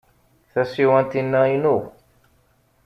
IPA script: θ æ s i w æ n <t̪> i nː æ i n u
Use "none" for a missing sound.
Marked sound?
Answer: t̪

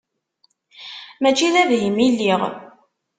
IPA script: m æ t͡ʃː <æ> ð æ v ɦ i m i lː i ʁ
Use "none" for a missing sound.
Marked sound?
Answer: i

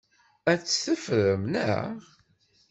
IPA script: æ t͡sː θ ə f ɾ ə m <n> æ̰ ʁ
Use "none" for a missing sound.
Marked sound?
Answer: n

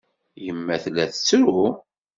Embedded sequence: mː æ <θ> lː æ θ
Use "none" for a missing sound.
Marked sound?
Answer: θ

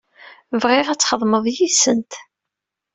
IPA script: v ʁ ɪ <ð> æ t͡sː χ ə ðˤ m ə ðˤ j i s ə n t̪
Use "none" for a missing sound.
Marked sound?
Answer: ʁ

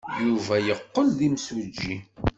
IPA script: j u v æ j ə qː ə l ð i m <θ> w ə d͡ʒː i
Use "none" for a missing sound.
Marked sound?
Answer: s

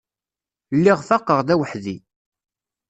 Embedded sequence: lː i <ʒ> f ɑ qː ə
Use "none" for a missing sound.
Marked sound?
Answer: ʁ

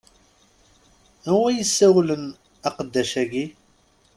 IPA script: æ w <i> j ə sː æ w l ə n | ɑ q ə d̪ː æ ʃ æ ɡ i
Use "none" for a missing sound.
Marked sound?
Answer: æ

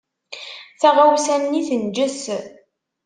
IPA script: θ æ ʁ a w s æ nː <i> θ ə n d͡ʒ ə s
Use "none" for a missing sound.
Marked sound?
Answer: i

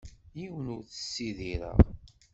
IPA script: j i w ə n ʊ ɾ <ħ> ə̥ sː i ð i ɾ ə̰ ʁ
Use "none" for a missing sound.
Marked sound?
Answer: θ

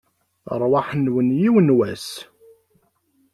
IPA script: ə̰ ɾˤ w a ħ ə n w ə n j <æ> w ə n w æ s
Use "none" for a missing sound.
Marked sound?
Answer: i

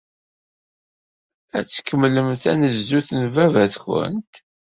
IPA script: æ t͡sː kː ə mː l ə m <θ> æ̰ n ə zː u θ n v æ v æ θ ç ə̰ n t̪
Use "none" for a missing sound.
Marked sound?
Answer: θ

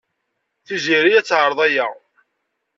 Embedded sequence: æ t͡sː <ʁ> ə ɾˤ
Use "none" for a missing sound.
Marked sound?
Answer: ʕ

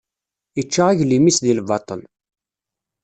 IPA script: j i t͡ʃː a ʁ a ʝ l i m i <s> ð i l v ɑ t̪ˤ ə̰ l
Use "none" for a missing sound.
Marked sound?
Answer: s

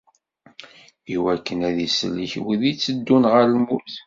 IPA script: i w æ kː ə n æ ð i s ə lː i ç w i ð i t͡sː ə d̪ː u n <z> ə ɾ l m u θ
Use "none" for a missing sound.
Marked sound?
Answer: ʁ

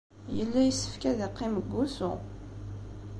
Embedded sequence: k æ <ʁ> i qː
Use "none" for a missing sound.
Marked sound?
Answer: ð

